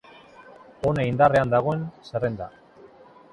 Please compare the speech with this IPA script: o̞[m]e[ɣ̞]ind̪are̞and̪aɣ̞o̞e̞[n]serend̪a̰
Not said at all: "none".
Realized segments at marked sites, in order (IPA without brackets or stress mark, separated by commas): n, none, n